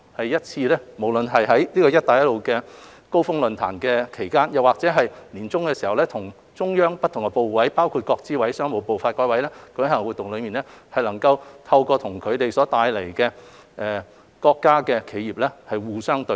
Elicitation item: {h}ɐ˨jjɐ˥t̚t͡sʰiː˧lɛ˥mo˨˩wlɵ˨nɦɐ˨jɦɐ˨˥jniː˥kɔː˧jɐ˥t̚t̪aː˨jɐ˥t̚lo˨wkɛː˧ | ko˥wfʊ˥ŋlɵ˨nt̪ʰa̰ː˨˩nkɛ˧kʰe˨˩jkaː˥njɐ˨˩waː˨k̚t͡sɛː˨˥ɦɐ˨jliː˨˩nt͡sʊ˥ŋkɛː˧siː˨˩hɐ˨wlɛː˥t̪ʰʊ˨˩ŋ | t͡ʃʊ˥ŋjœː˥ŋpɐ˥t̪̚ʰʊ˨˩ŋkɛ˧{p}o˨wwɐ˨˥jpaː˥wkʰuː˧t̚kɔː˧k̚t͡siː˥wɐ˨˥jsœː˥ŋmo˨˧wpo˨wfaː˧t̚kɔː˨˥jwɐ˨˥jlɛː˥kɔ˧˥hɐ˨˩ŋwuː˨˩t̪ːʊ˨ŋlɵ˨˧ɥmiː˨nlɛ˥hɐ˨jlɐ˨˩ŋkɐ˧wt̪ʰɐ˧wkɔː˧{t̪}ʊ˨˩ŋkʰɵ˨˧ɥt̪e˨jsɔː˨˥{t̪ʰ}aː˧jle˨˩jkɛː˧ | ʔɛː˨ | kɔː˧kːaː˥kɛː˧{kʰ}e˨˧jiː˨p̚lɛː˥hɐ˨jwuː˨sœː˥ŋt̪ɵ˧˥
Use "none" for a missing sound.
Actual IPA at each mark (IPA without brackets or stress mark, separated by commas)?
h, p, t̪ʰ, t̪, kʰ